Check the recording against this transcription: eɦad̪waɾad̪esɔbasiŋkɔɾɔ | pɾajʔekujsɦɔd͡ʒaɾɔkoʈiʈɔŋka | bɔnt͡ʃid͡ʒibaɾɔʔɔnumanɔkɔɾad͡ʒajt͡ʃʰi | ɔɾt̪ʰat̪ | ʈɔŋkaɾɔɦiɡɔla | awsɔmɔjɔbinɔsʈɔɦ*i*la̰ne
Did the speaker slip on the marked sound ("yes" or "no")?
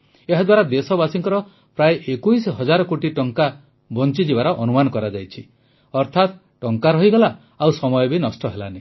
yes